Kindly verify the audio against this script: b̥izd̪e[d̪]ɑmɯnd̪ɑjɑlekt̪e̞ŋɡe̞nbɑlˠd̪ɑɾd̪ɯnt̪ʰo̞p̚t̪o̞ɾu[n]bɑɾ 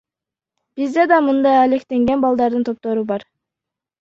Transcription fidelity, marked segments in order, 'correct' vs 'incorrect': correct, incorrect: none

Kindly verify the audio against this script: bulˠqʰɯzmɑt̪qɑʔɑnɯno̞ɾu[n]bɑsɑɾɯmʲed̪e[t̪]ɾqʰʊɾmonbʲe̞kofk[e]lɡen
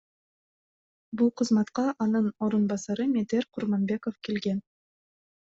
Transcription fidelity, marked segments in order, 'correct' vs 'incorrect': correct, incorrect: none, correct

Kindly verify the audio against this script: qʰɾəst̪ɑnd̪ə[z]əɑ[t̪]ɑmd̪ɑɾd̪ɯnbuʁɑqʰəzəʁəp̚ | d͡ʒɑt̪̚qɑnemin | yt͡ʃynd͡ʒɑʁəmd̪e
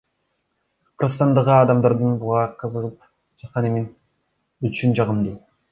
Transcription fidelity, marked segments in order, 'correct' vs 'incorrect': incorrect: ʁ, incorrect: d̪

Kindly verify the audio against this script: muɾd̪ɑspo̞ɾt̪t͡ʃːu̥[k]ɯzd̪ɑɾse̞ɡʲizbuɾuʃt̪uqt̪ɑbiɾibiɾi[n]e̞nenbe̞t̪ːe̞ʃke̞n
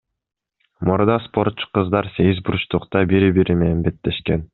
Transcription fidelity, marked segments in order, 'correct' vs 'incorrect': incorrect: q, incorrect: m

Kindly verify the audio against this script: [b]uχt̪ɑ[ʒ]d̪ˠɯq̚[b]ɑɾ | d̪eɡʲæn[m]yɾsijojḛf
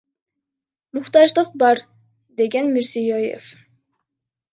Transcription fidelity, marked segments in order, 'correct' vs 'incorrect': incorrect: m, correct, correct, correct

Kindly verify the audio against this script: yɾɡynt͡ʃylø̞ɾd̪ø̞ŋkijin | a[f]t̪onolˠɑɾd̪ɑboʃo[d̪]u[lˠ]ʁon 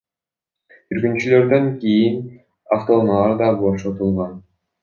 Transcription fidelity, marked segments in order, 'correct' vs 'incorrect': correct, incorrect: t̪, correct

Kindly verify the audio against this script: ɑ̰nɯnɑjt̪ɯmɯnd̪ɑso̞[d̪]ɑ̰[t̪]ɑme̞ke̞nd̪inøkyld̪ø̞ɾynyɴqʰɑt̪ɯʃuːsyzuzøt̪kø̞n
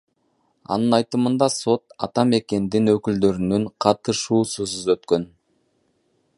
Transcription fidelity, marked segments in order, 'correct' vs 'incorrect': incorrect: t̪, correct

